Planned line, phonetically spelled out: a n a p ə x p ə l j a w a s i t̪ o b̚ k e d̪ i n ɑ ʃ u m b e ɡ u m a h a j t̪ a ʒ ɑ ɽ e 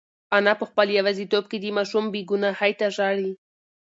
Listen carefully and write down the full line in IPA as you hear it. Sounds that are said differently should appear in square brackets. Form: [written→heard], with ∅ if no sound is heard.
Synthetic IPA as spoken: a n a p ə x p ə l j a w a [s→z] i t̪ o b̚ k e d̪ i [n→m] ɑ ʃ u m b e ɡ u [m→n] a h a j t̪ a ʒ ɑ ɽ [e→i]